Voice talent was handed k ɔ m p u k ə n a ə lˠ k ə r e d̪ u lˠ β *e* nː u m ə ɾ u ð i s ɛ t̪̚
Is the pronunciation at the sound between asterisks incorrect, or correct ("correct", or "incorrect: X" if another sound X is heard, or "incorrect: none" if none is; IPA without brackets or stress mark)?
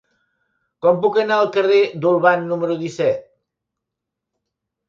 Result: incorrect: a